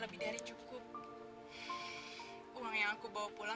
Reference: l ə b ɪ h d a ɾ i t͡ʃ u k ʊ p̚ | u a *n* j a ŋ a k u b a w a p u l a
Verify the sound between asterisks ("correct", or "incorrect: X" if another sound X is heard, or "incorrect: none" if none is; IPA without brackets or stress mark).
incorrect: ŋ